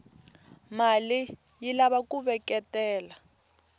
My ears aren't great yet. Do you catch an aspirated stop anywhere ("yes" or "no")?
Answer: no